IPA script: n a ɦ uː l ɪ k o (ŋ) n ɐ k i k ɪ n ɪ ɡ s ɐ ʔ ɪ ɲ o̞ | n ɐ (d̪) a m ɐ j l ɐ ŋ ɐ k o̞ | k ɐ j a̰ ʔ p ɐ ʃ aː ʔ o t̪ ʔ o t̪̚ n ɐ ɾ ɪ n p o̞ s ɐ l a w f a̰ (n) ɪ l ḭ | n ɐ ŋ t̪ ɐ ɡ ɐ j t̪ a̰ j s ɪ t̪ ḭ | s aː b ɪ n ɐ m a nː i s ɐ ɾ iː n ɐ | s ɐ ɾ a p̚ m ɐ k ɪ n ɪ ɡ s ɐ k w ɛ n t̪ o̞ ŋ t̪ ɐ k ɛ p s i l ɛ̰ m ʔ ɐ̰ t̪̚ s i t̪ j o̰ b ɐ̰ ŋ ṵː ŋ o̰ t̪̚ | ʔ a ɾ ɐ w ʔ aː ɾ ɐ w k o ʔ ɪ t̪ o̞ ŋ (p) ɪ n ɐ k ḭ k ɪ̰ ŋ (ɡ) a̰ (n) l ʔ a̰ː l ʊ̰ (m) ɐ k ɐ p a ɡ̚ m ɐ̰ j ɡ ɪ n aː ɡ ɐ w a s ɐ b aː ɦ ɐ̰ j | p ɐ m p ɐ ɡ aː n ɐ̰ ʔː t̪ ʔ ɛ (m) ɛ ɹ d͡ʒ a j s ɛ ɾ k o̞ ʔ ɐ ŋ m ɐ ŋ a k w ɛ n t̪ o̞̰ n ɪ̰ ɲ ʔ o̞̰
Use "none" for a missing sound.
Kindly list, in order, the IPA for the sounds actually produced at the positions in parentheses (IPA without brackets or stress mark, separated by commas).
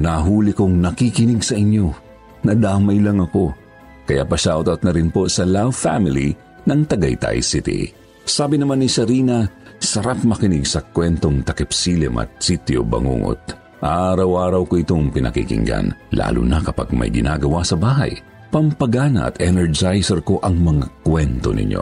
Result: ŋ, d̪, m, p, ɡ, n, n, n